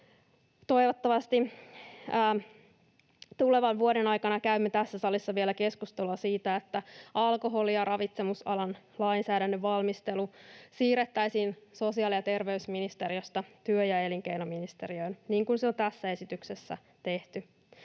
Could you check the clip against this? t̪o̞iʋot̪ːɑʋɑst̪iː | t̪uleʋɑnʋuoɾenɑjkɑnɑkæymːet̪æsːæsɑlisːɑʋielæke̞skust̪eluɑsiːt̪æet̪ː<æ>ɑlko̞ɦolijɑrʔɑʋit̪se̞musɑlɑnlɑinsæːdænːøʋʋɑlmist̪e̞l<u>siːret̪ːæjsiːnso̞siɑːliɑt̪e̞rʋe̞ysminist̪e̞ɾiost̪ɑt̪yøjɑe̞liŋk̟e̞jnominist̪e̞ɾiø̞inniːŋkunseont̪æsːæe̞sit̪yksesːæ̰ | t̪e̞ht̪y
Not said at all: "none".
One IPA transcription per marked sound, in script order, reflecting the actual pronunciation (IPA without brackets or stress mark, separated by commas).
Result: æ, u